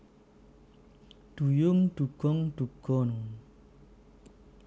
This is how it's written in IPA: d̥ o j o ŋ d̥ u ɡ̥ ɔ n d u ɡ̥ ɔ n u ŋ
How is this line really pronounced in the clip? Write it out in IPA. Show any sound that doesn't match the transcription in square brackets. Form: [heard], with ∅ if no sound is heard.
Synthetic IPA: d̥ [u] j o ŋ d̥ u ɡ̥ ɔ [ŋ] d u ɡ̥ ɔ n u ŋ

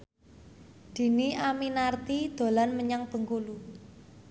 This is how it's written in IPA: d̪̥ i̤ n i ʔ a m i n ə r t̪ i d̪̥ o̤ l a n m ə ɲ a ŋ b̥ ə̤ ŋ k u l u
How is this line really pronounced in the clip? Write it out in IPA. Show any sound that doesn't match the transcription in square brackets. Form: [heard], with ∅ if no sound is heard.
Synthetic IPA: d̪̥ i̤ n i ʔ a m i n [a] r t̪ i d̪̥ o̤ l a n m ə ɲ a ŋ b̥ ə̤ ŋ k u l u

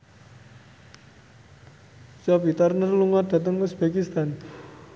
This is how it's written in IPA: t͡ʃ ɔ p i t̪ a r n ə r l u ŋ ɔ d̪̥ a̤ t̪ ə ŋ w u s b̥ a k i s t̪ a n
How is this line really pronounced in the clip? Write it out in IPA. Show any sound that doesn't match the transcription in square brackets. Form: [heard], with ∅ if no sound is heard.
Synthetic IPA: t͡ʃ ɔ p i t̪ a r n ə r l u ŋ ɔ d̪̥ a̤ t̪ ə ŋ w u s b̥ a k i s t̪ a n

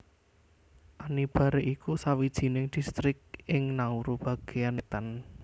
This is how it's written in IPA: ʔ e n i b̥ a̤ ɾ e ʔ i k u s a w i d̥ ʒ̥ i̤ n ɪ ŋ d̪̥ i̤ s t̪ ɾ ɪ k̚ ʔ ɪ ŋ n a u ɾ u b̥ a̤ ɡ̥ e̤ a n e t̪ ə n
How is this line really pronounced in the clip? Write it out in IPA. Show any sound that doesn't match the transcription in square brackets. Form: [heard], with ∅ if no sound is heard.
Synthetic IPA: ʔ [a] n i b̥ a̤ ɾ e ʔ i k u s a w i d̥ ʒ̥ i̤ n ɪ ŋ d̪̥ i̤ s t̪ ɾ ɪ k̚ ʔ ɪ ŋ n a u ɾ u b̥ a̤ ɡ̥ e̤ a n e t̪ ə n

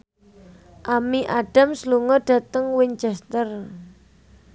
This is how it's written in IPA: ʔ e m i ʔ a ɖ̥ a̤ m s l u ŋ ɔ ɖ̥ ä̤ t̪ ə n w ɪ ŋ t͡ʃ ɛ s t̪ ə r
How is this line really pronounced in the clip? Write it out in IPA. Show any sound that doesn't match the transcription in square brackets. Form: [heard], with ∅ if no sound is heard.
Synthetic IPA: ʔ [a] m i ʔ a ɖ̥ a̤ m s l u ŋ ɔ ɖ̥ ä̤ t̪ ə [ŋ] w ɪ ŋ t͡ʃ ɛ s t̪ ə r

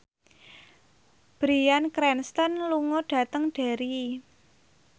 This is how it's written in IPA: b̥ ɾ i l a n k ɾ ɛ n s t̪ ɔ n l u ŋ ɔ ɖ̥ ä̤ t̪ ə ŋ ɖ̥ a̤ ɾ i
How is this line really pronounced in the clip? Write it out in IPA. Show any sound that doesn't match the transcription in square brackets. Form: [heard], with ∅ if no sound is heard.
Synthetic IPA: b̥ ɾ i [∅] a n k ɾ ɛ n s t̪ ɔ n l u ŋ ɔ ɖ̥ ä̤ t̪ ə ŋ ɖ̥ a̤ ɾ i

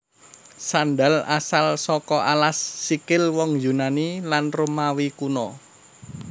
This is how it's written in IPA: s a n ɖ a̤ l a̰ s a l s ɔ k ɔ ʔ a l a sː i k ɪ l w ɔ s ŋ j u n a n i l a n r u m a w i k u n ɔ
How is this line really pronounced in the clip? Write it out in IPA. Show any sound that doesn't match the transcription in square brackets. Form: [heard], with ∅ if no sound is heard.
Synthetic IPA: s a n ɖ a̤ l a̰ s a l s ɔ k ɔ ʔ a l a sː i k ɪ l w ɔ [∅] ŋ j u n a n i l a n r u m a w i k u n ɔ

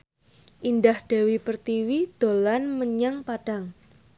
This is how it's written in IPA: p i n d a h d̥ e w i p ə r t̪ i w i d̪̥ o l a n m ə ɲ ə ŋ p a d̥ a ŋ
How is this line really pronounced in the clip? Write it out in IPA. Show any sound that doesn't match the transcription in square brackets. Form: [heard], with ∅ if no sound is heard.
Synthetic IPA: [ʔ] i n d a h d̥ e w i p ə r t̪ i w i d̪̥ o l a n m ə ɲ [a] ŋ p a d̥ a ŋ

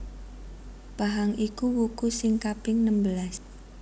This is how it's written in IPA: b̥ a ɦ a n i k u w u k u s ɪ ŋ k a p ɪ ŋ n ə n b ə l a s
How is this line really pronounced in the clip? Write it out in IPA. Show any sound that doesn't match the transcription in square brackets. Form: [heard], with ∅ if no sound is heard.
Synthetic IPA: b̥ a ɦ a [ŋ] i k u w u k u s ɪ ŋ k a p ɪ ŋ n ə [m] b ə l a s

